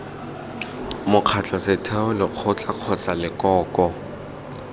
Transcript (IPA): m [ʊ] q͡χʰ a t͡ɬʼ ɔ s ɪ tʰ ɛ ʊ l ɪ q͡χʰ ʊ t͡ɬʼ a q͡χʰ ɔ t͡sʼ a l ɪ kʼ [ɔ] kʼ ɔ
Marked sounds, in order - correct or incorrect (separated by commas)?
correct, incorrect